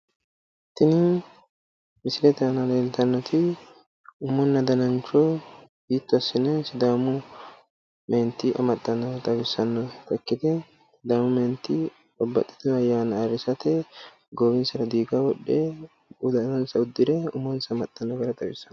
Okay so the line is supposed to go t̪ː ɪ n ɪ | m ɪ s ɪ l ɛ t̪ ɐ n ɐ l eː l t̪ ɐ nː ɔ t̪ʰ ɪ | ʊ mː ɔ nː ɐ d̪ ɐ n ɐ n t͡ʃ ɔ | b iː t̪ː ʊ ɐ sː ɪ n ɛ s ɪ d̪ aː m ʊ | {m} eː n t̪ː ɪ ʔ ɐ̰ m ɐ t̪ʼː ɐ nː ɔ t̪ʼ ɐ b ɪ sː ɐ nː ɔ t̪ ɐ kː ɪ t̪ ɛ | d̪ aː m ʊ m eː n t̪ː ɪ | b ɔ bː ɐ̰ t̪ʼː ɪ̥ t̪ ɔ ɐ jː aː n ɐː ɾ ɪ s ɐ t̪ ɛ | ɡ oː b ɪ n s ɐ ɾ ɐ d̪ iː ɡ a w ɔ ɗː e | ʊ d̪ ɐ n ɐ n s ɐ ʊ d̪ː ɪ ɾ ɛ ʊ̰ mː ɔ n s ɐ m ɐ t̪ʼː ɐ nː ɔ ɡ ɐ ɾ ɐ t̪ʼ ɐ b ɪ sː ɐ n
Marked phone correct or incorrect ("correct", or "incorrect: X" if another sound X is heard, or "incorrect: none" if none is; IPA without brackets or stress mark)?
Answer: correct